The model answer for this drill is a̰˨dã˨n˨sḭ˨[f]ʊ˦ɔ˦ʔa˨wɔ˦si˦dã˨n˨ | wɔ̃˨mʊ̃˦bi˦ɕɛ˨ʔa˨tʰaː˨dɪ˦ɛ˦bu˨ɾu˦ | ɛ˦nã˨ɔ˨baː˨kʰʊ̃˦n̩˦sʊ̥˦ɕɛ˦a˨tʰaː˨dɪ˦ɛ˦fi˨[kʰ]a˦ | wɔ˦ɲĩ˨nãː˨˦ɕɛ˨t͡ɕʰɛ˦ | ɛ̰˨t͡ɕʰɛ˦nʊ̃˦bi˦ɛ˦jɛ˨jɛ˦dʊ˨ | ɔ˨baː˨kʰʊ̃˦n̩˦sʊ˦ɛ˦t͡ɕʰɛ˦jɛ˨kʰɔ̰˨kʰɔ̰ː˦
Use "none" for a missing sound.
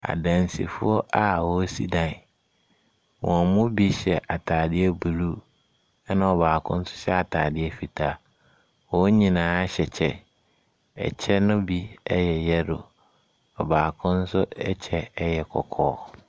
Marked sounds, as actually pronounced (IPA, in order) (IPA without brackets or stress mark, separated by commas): f, tʰ